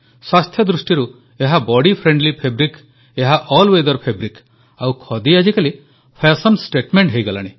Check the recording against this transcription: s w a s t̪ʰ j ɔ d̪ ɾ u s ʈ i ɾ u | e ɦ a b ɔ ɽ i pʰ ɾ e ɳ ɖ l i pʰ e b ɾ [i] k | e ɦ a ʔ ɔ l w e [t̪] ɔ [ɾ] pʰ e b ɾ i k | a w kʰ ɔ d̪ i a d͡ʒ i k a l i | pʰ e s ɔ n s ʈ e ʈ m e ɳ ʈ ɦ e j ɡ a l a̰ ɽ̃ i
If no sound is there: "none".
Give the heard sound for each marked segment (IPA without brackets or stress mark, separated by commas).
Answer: i, d̪, ɾ